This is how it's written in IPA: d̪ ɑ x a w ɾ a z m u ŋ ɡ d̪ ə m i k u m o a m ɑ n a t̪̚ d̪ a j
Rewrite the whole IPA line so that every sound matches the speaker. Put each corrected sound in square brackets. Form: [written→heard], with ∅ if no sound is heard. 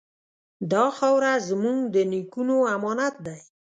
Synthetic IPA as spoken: d̪ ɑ x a w ɾ a z m u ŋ ɡ d̪ ə [m→n] i k u [m→n] o a m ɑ n a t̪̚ d̪ a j

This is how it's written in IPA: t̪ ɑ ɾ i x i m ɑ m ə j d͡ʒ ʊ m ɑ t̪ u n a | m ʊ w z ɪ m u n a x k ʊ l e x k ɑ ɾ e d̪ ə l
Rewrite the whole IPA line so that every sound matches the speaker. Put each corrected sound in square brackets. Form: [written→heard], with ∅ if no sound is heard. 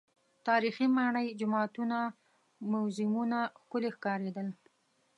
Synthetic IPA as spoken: t̪ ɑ ɾ i x i m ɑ [m→ɳ] ə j d͡ʒ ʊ m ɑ t̪ u n a | m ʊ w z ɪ m u n a x k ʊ l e x k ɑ ɾ e d̪ ə l

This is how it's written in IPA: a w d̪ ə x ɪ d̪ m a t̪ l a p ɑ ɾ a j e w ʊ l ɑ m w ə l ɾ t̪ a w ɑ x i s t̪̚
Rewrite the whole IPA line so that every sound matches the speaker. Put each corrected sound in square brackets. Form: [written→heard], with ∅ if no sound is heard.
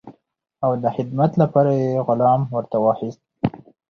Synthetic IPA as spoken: a w d̪ ə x ɪ d̪ m a t̪ l a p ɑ ɾ a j e [w→ɣ] ʊ l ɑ m w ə [l→∅] ɾ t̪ a w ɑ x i s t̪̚

